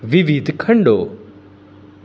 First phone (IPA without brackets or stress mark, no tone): ʋ